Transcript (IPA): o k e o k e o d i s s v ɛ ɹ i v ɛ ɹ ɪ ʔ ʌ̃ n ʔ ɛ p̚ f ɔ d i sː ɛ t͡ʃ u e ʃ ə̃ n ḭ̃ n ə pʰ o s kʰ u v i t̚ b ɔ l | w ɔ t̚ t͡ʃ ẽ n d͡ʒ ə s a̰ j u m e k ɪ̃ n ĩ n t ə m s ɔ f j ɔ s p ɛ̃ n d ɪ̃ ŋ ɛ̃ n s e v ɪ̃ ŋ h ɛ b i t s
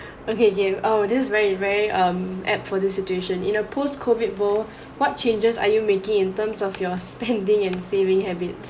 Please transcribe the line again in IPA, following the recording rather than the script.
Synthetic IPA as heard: o k e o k e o d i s s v ɛ ɹ i v ɛ ɹ i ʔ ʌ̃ m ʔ ɛ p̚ f ɔ d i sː i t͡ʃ u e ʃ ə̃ n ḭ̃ n ə pʰ o s kʰ o v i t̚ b ɔ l | w ɔ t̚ t͡ʃ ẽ n d͡ʒ ə s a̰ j u m e k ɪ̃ ŋ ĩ n t ə m s ɔ f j ɔ s p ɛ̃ n d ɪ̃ ŋ ɛ̃ n s e v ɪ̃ ŋ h ɛ b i t s